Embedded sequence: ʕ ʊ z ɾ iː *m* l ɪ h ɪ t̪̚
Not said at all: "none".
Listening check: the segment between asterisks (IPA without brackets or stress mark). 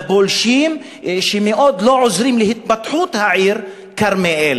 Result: m